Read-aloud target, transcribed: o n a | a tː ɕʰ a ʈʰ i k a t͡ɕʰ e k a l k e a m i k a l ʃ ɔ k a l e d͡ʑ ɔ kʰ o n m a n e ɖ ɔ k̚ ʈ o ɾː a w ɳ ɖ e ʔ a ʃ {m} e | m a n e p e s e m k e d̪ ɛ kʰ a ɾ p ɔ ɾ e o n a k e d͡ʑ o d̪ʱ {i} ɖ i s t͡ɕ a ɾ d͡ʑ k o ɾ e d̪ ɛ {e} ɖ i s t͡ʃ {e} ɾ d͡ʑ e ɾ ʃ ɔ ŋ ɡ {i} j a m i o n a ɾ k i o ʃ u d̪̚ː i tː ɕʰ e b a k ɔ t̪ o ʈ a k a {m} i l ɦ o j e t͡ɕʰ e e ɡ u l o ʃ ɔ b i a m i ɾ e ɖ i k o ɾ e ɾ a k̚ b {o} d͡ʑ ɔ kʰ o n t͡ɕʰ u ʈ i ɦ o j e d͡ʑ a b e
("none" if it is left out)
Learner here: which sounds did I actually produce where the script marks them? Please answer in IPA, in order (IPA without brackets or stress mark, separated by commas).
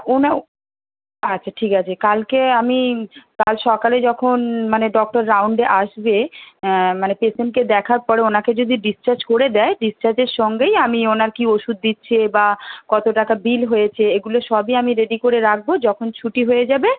b, i, e, a, e, b, o